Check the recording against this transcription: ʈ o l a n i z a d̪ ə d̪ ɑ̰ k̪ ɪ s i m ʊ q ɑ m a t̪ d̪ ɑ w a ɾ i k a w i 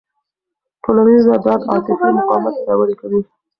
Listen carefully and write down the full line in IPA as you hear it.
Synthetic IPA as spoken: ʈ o l a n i z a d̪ ɑ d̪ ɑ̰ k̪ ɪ f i m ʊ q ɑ m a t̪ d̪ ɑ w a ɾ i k a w i